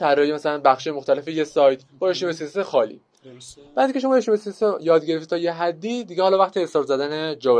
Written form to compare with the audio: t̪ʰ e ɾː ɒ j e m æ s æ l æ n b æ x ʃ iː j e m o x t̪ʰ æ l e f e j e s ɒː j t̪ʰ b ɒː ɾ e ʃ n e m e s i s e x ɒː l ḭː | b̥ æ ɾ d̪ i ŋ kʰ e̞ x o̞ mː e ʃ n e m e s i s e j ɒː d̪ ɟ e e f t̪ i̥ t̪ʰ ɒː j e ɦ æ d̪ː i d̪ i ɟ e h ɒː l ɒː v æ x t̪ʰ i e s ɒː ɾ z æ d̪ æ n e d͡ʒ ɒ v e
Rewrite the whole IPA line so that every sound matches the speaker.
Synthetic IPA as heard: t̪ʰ æ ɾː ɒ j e m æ s æ l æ n b æ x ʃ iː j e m o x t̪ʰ æ l e f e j e s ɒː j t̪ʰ b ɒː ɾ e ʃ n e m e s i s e x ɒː l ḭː | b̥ æ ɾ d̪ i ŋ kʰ e̞ ʃ o̞ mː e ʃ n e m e s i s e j ɒː d̪ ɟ e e f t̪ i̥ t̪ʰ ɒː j e ɦ æ d̪ː i d̪ i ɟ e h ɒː l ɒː v æ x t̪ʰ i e s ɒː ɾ z æ d̪ æ n e d͡ʒ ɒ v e